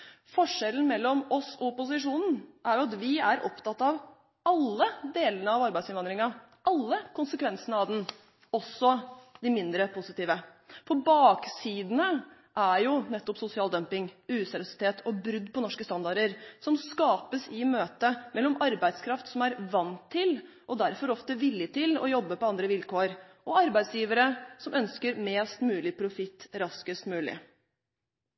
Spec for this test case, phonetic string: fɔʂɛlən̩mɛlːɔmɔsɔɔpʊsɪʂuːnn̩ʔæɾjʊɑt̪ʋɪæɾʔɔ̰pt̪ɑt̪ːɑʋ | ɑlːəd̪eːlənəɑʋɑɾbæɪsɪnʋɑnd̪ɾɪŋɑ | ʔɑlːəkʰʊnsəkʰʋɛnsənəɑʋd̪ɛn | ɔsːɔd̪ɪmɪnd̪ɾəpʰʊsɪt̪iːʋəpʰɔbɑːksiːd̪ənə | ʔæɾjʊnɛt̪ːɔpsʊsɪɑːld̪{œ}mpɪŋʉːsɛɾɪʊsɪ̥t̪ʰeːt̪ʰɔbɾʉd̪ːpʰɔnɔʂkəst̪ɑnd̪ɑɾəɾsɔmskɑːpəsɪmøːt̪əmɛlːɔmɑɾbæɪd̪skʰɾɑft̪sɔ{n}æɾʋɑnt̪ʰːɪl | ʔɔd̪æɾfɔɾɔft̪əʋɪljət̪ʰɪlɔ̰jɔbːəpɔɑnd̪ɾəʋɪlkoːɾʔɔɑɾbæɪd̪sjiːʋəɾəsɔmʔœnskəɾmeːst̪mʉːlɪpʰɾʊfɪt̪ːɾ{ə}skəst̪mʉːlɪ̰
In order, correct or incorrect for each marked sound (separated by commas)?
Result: correct, incorrect, incorrect